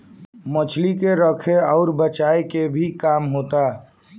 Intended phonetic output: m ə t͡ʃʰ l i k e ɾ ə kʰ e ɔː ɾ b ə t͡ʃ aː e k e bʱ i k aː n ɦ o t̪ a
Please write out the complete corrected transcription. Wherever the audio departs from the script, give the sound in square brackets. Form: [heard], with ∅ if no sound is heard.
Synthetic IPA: m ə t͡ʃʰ l i k e ɾ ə kʰ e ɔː ɾ b ə t͡ʃ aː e k e bʱ i k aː [m] ɦ o t̪ a